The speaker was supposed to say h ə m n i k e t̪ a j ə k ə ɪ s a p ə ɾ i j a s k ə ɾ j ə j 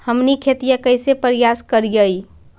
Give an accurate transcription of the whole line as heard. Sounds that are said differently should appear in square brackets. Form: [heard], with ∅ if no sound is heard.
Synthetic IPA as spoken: h ə m n i [kʰ] e t̪ [i] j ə k ə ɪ s [e] p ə ɾ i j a s k ə ɾ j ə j